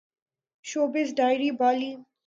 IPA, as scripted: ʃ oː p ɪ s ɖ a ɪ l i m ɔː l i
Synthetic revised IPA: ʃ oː b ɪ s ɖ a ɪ ɾ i b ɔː l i